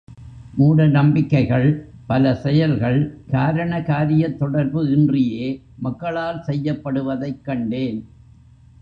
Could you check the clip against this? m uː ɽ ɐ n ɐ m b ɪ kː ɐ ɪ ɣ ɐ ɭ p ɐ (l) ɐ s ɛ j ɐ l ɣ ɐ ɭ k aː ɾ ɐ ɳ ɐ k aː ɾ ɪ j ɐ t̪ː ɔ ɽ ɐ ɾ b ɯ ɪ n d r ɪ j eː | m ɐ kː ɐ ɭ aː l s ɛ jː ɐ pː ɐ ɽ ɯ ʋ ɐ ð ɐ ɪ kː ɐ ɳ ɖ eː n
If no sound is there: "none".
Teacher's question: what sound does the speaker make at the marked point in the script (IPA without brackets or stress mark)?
l